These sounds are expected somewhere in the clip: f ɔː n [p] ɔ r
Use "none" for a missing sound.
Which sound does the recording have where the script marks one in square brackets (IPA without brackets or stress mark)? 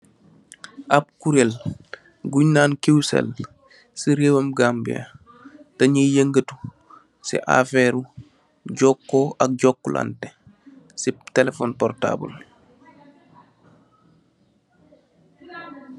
p